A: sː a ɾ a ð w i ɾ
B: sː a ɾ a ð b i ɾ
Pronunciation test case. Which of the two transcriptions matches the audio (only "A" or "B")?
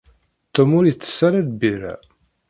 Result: B